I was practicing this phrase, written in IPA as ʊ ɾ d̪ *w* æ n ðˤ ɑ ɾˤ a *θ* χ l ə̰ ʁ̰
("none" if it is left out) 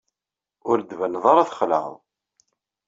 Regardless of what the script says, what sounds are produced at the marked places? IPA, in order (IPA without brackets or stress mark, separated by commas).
v, θ